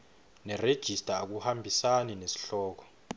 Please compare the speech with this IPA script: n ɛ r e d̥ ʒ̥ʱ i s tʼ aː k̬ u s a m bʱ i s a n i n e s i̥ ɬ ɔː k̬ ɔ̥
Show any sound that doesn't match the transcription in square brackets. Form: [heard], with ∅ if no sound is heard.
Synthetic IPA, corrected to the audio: n ɛ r e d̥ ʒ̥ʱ i s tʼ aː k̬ u [h] a m bʱ i s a n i n e s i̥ ɬ ɔː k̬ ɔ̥